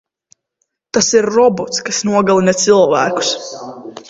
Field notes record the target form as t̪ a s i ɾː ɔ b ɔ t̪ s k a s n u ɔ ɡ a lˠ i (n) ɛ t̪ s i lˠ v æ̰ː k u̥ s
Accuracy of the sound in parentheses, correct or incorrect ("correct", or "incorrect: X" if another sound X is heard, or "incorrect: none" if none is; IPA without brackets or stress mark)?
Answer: correct